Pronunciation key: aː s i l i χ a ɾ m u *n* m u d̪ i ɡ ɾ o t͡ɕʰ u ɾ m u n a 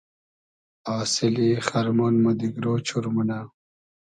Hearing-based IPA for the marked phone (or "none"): n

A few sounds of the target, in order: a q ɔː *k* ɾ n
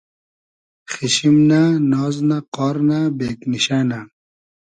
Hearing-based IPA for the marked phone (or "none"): none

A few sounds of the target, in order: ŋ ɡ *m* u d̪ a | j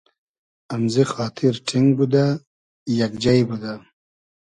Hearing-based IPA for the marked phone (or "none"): b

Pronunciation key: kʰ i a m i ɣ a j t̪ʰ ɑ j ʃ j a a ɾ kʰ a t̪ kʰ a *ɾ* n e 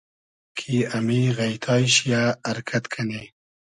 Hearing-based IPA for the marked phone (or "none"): none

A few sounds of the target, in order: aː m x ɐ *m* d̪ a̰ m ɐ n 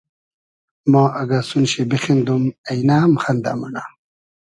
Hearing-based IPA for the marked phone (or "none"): n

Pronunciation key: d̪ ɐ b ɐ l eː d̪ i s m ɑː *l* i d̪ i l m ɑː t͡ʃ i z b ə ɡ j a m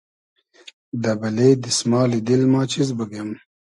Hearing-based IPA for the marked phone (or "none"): l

